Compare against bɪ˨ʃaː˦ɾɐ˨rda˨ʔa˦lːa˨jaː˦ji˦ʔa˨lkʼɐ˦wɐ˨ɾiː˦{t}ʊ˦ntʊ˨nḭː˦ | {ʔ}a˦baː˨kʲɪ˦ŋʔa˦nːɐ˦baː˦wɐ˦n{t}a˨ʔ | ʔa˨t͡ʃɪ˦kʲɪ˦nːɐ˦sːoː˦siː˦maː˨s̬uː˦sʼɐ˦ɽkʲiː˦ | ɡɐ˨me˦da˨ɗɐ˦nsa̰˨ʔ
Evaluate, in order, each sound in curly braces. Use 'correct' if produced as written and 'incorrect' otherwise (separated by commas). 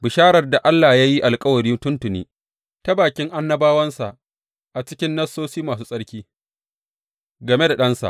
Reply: correct, incorrect, incorrect